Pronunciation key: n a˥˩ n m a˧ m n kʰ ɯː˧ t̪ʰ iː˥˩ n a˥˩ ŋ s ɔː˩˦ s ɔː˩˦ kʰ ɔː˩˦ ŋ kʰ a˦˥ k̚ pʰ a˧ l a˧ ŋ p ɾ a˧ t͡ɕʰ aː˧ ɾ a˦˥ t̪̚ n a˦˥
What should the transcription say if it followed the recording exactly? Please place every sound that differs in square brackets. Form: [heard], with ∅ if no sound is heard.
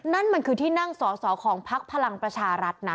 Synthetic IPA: n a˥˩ n m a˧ [∅] n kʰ ɯː˧ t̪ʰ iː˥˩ n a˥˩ ŋ s ɔː˩˦ s ɔː˩˦ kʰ ɔː˩˦ ŋ [pʰ] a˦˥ k̚ pʰ a˧ l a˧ ŋ p ɾ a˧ t͡ɕʰ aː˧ ɾ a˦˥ t̪̚ n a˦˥